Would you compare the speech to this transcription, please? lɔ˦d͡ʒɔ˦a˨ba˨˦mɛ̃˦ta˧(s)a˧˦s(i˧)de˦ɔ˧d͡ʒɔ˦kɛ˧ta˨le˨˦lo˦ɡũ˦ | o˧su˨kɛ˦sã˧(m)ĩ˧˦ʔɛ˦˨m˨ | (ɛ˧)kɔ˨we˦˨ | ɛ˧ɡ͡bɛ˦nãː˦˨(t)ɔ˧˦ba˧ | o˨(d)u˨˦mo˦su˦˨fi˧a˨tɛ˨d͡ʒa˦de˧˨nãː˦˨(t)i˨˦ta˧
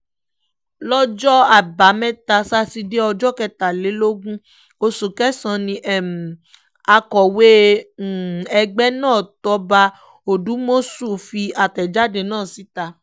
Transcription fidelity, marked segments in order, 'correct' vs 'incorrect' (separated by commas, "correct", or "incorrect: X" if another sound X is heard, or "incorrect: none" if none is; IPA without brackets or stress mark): correct, correct, incorrect: n, incorrect: a˧, correct, correct, incorrect: s